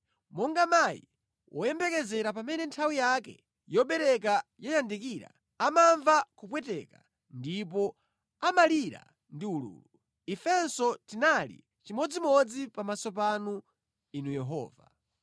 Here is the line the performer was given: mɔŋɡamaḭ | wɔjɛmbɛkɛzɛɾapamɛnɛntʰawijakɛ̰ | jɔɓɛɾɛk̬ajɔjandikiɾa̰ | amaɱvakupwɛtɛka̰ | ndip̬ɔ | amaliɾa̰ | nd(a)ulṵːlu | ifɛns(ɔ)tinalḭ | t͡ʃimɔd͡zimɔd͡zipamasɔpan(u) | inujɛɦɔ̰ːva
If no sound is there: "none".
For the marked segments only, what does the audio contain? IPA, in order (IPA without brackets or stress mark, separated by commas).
i, ɔ, u